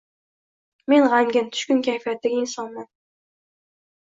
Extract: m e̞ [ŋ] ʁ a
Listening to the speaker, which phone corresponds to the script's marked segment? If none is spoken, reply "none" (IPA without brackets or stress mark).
n